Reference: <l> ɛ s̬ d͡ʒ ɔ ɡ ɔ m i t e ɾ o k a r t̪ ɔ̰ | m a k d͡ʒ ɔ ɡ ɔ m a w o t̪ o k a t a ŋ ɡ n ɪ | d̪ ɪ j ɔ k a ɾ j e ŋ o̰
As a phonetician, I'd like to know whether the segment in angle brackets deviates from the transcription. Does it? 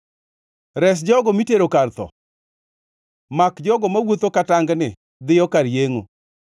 yes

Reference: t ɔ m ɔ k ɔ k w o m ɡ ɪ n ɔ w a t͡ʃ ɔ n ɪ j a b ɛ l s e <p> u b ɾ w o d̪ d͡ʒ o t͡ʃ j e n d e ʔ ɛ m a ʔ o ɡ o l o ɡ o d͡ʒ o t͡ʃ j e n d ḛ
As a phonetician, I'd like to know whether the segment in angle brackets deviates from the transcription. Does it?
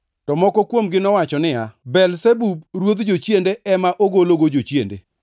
yes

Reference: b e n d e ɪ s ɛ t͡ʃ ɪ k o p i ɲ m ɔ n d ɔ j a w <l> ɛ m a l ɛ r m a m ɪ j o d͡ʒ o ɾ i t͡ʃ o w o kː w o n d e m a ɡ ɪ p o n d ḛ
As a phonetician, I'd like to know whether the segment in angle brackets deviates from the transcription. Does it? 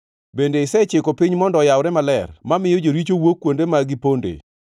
yes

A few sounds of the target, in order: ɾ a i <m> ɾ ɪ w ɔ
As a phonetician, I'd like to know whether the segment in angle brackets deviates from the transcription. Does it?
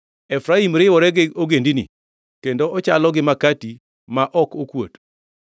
no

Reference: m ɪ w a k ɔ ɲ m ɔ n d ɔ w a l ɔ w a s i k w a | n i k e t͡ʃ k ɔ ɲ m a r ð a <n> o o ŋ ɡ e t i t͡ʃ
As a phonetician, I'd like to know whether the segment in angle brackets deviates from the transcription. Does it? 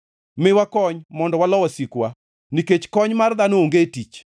no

